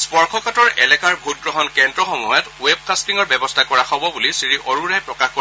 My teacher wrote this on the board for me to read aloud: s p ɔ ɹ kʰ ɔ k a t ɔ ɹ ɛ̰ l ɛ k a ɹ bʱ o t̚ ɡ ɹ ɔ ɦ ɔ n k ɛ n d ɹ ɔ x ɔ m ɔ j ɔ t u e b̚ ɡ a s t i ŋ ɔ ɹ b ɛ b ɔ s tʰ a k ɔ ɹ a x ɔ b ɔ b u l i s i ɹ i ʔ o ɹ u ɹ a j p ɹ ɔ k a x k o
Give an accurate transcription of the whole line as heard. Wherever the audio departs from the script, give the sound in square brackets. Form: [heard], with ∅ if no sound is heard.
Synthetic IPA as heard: s p ɔ ɹ kʰ ɔ k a t ɔ ɹ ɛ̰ l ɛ k a ɹ bʱ [u] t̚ ɡ ɹ ɔ ɦ ɔ n k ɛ n d ɹ ɔ x ɔ m ɔ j ɔ t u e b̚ [k] a s t i ŋ ɔ ɹ b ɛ b ɔ s tʰ a k ɔ ɹ a x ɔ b ɔ b u l i s i ɹ i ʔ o ɹ u ɹ a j p ɹ ɔ k a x k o

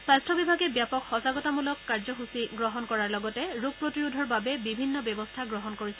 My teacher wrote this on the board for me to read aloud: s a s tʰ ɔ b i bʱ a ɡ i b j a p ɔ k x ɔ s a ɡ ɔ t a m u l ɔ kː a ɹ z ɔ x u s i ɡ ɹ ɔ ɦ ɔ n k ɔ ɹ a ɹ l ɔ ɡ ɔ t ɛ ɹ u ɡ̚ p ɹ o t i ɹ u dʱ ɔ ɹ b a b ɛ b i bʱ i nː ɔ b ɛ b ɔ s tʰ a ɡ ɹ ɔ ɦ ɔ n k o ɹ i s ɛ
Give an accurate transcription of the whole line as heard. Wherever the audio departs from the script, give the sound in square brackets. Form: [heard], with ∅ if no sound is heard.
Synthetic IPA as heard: s a s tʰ ɔ b i bʱ a ɡ [ɛ] b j a p ɔ k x ɔ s a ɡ ɔ t a m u l ɔ kː a ɹ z ɔ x u s i ɡ ɹ ɔ ɦ ɔ n k ɔ ɹ a ɹ l ɔ ɡ ɔ t ɛ ɹ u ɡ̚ p ɹ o t i ɹ u dʱ ɔ ɹ b a b ɛ b i bʱ i nː ɔ b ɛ b ɔ s tʰ a ɡ ɹ ɔ ɦ ɔ n k o ɹ i s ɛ

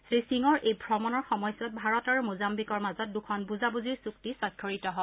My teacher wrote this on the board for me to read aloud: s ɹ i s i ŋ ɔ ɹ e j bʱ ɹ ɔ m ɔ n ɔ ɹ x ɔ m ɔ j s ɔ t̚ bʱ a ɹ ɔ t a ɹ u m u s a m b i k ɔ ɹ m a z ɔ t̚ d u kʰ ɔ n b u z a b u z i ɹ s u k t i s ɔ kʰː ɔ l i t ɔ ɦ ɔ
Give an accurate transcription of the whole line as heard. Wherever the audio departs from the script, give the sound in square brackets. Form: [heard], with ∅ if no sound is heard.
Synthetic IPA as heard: s ɹ i s i ŋ ɔ ɹ e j bʱ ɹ ɔ m ɔ n ɔ ɹ x ɔ m ɔ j s ɔ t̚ bʱ a ɹ ɔ t a ɹ u m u [z] a m b i k ɔ ɹ m a z ɔ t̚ d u kʰ ɔ n b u z a b u z i ɹ s u k t i s ɔ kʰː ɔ [ɹ] i t ɔ ɦ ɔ

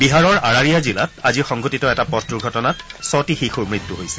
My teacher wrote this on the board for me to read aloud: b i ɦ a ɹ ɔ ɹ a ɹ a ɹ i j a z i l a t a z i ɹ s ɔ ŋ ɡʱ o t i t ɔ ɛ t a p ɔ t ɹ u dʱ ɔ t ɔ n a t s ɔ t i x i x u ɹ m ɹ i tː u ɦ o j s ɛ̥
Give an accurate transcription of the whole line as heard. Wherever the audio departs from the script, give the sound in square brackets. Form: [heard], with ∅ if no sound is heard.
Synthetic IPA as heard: b i ɦ a ɹ ɔ ɹ a ɹ a ɹ i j a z i l a t a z i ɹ [x] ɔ ŋ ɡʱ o t i t ɔ ɛ t a p ɔ t ɹ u [ɡʱ] ɔ t ɔ n a t s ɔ t i x i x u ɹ m ɹ i tː u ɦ o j s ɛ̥

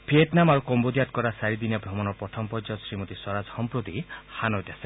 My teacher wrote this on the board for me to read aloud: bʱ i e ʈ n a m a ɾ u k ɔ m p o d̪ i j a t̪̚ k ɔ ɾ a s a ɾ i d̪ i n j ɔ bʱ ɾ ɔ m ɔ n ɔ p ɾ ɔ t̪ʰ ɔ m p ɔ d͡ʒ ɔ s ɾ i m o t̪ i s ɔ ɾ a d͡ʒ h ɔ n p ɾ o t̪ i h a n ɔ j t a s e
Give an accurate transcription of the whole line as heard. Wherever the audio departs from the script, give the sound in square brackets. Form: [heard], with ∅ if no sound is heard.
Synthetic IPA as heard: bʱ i e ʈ n a m a ɾ u k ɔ m [b] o d̪ i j a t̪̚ k ɔ ɾ a s a ɾ i d̪ i n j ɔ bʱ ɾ ɔ m ɔ n ɔ p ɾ ɔ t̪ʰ ɔ m p ɔ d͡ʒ ɔ s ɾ i m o t̪ i s ɔ ɾ a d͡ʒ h ɔ [m] p ɾ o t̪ i h a n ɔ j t a s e

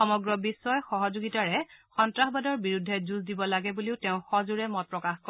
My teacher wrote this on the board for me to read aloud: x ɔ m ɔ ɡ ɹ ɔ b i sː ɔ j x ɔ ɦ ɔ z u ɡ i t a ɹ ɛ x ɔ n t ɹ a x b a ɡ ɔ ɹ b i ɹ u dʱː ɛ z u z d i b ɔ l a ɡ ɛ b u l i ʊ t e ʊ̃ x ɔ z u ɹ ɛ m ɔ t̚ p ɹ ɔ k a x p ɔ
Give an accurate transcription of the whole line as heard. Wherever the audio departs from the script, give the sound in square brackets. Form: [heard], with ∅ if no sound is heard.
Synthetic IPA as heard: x ɔ m ɔ ɡ ɹ ɔ b i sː ɔ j x ɔ ɦ ɔ z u ɡ i t a ɹ ɛ x ɔ n t ɹ a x b a [d] ɔ ɹ b i ɹ u dʱː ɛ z u z d i b ɔ l a ɡ ɛ b u l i ʊ t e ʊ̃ x ɔ z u ɹ ɛ m ɔ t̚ p ɹ ɔ k a x [k] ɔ

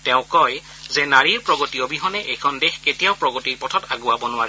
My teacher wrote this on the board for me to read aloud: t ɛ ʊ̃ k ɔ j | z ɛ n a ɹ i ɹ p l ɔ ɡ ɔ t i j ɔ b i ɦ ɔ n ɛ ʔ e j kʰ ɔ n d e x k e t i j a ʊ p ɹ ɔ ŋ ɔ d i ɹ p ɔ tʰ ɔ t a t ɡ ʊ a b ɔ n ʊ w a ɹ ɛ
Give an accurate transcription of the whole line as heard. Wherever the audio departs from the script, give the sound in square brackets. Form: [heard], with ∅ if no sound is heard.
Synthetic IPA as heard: t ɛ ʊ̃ k ɔ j | z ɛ n a ɹ i ɹ p [ɹ] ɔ ɡ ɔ t i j ɔ b i ɦ ɔ n ɛ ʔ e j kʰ ɔ n d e x k e t i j a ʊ p ɹ ɔ [ɡ] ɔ [t] i ɹ p ɔ tʰ ɔ t a [∅] ɡ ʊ a b ɔ n ʊ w a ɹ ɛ

